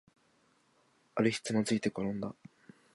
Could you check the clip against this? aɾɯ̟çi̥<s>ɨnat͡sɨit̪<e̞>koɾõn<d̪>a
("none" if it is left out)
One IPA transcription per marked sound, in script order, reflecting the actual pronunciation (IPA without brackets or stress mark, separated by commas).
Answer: t͡s, e̞, d̪